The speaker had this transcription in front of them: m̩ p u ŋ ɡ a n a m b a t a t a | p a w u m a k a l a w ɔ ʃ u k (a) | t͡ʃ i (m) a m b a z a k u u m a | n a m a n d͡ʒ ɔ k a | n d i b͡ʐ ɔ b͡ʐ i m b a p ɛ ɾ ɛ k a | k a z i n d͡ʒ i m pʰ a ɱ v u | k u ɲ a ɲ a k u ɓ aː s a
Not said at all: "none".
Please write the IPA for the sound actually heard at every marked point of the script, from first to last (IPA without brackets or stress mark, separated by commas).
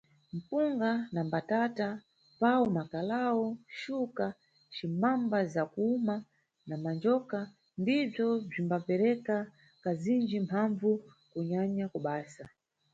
a, m